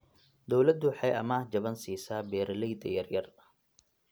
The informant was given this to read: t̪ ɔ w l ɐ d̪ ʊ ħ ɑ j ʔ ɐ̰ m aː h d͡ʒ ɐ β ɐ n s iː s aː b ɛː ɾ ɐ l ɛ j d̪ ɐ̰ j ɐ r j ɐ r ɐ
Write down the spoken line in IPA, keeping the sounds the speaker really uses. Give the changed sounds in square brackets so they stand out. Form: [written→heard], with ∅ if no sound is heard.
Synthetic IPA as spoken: [t̪→d̪] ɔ w l ɐ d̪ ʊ ħ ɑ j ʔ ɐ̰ m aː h d͡ʒ ɐ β ɐ n s iː s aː b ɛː ɾ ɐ l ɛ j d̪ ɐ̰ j ɐ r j ɐ r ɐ